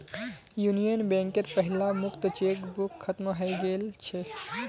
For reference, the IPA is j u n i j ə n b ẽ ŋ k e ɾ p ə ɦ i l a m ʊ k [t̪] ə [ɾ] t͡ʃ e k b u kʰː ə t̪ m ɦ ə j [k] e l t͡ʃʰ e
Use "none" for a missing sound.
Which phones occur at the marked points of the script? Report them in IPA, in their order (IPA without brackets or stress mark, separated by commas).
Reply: t̪, none, ɡ